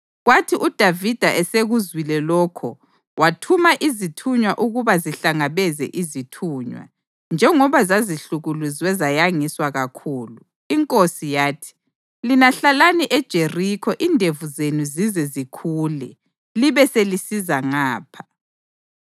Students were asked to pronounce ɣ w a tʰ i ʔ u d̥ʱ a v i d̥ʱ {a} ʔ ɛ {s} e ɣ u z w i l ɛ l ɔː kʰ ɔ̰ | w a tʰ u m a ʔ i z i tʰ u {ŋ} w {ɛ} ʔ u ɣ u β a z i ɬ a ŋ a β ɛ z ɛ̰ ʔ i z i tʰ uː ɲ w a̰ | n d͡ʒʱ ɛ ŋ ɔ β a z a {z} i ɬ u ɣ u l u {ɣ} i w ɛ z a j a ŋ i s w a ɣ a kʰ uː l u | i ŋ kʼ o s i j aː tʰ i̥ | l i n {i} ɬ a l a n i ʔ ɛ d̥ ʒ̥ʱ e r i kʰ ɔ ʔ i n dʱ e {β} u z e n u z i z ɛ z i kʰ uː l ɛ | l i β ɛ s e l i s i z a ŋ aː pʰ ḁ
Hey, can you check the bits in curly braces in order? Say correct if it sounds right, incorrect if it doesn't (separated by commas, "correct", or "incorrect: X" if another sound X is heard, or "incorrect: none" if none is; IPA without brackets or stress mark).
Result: correct, correct, incorrect: ɲ, incorrect: a, correct, incorrect: z, incorrect: a, incorrect: v